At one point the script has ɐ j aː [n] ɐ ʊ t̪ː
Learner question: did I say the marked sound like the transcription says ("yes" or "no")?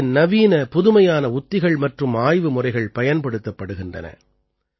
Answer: yes